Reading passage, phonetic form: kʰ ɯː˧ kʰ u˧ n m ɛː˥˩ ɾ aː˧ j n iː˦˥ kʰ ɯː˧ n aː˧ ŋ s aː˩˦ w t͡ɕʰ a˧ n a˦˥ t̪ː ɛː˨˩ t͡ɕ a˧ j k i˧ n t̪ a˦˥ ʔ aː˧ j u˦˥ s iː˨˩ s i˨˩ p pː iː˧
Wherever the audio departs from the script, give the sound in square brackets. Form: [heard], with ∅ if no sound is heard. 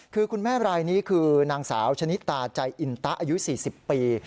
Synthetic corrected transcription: kʰ ɯː˧ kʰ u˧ n m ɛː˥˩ ɾ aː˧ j n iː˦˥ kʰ ɯː˧ n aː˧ ŋ s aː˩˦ w t͡ɕʰ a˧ n [i˦˥] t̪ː [aː˨˩] t͡ɕ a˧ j [ʔ] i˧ n t̪ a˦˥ ʔ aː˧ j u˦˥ s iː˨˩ s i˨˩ p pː iː˧